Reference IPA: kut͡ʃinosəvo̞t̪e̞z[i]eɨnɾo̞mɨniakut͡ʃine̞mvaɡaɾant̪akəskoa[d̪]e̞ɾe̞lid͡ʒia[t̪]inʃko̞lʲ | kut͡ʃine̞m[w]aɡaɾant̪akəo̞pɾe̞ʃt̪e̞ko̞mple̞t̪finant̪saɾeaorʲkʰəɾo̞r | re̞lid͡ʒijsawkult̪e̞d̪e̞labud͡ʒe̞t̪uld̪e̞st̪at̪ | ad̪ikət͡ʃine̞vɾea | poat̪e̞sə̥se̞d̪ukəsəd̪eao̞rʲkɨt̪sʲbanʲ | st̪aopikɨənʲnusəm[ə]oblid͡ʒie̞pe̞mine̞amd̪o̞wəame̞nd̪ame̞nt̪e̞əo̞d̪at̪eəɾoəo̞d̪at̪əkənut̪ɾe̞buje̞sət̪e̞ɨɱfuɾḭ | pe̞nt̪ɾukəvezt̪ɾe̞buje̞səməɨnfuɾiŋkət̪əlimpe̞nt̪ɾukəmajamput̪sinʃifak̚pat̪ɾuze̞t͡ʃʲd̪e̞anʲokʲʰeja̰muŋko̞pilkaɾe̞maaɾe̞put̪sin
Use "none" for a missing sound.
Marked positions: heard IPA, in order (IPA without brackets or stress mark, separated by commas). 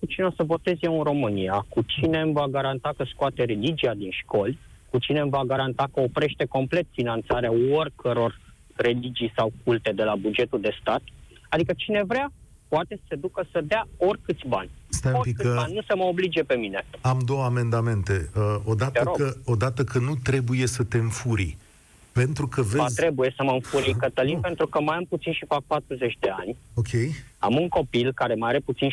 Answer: j, t̪, d̪, v, ə